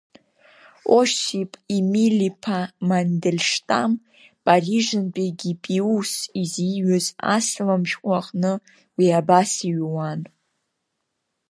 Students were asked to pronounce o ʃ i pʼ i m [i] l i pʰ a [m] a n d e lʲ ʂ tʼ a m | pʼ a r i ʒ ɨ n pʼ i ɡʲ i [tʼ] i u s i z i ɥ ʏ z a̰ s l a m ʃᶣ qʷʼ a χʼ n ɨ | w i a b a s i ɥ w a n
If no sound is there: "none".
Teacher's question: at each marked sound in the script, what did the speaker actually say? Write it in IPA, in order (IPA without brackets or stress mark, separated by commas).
i, m, pʼ